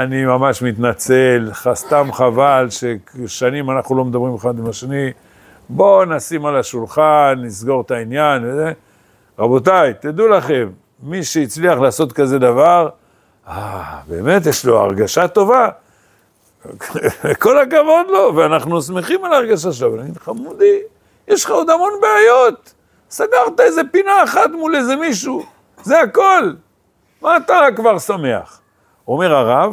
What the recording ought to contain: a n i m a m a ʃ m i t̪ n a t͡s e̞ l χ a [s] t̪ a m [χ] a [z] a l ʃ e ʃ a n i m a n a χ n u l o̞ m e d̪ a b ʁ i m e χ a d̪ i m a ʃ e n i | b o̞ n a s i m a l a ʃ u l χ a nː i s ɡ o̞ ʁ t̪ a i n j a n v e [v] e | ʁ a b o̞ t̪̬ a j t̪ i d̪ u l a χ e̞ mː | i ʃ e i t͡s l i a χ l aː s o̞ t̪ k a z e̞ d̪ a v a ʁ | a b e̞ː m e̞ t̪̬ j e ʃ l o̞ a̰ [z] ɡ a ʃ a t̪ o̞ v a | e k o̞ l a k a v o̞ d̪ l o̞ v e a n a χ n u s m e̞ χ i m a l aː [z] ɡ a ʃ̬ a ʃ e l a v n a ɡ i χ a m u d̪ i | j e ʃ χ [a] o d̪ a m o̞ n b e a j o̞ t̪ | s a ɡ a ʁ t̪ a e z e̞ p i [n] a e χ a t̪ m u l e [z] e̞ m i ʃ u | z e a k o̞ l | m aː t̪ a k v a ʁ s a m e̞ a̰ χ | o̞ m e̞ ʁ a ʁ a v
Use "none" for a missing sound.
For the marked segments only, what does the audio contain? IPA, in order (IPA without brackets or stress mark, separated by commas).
s, χ, v, z, ʁ, ʁ, a, n, z